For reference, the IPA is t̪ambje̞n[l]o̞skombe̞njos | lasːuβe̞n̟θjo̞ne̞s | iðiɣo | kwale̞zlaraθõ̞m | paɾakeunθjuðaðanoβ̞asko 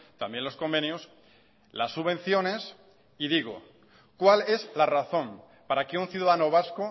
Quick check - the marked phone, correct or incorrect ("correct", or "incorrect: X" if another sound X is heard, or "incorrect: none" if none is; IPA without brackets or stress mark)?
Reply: correct